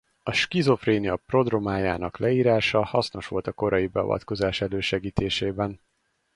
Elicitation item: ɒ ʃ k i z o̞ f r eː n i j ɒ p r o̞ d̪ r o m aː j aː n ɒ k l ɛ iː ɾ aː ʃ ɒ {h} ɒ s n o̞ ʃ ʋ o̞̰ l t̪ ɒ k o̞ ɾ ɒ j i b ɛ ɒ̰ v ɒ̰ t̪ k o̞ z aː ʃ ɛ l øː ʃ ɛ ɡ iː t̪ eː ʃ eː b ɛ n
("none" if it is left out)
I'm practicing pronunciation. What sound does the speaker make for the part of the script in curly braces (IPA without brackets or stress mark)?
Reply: h